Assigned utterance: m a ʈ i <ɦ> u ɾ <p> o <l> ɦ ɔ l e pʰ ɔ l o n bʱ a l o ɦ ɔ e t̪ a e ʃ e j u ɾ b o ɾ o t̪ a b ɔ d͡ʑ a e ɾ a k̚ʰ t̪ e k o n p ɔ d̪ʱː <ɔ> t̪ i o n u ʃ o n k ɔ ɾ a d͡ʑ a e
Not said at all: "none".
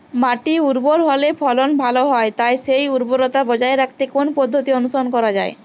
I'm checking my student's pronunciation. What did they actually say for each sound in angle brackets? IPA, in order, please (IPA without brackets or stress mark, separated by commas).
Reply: none, b, ɾ, o